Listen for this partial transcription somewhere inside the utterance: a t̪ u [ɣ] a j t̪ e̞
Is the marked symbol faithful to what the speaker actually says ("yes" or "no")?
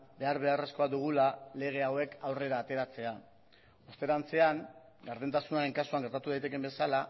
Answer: no